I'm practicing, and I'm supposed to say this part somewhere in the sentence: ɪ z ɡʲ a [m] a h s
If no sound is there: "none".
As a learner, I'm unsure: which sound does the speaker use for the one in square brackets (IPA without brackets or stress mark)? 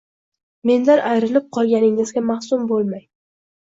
m